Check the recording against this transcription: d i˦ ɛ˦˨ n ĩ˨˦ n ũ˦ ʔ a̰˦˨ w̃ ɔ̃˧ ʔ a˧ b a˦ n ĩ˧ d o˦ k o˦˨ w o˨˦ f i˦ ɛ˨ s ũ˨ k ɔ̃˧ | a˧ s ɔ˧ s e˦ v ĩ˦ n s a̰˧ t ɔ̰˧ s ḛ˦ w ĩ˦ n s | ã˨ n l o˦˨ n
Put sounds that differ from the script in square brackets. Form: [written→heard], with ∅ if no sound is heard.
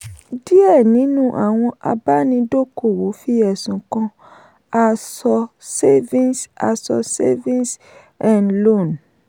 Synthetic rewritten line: d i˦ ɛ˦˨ n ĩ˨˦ n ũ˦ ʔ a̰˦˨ w̃ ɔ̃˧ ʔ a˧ b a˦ n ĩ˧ d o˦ k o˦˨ w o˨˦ f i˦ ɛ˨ s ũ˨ k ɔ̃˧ | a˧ s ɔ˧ s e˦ v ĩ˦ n s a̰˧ [t→s] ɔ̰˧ s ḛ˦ [w→v] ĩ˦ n s | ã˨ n l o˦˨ n